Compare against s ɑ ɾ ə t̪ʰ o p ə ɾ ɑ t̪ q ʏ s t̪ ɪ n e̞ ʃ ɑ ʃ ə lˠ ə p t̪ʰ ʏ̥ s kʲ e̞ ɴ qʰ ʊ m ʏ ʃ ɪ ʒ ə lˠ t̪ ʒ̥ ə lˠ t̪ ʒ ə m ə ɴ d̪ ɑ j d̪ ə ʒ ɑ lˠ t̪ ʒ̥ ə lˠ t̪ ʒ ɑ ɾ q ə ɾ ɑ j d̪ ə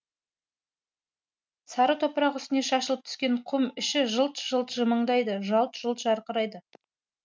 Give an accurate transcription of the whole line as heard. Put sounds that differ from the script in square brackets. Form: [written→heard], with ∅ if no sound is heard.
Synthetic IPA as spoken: s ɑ ɾ ə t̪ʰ o p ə ɾ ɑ [t̪→∅] q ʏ s t̪ ɪ n e̞ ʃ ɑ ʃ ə lˠ ə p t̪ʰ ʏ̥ s kʲ e̞ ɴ qʰ ʊ m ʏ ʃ ɪ ʒ ə lˠ t̪ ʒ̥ ə lˠ t̪ ʒ ə m ə ɴ d̪ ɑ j d̪ ə ʒ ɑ lˠ t̪ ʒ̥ ə lˠ t̪ ʒ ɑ ɾ q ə ɾ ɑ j d̪ ə